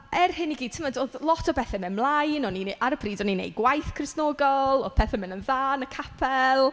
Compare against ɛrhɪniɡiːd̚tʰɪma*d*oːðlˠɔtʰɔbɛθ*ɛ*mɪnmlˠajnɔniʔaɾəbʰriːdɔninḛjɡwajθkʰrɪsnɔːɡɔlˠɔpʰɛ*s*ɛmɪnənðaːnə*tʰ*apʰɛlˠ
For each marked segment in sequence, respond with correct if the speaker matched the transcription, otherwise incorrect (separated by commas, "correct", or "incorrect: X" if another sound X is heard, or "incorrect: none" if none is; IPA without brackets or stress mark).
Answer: correct, correct, incorrect: θ, incorrect: kʰ